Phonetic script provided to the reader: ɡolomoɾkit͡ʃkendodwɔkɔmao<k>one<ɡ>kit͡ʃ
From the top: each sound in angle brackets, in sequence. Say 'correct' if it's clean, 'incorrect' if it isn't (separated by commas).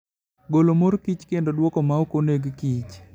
correct, correct